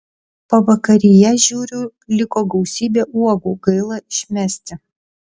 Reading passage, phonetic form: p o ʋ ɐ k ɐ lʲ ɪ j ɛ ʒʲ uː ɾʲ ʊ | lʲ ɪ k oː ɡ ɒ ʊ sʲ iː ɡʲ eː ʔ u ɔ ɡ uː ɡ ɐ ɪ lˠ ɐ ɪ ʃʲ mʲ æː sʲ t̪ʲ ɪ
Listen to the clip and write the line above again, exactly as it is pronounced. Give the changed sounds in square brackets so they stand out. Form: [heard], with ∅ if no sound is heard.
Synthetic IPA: p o ʋ ɐ k ɐ [ɾʲ] ɪ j ɛ ʒʲ uː ɾʲ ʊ | lʲ ɪ k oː ɡ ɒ ʊ sʲ iː [bʲ] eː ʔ u ɔ ɡ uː ɡ ɐ ɪ lˠ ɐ ɪ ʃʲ mʲ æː sʲ t̪ʲ ɪ